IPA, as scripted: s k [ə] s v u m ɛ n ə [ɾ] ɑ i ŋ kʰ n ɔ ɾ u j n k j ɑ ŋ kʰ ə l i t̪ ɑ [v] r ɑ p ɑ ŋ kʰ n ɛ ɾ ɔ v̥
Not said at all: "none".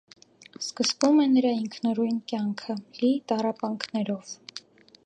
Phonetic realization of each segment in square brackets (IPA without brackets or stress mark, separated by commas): ə, ɾ, none